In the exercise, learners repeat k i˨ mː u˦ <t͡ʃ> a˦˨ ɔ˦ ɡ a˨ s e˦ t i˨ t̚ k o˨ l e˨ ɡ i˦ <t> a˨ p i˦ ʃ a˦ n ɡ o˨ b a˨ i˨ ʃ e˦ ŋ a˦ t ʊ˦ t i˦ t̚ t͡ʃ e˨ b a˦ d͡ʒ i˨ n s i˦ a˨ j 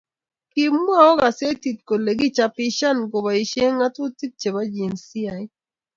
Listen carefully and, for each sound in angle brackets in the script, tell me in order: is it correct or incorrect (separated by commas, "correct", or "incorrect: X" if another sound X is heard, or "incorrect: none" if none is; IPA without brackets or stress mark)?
incorrect: none, incorrect: t͡ʃ